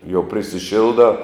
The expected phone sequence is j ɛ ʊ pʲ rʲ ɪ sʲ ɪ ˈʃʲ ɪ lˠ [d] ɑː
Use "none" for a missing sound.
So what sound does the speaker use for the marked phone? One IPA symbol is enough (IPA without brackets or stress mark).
d